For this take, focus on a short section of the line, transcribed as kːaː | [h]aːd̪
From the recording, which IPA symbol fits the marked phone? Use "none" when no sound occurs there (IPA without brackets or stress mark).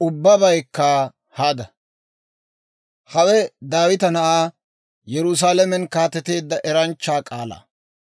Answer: h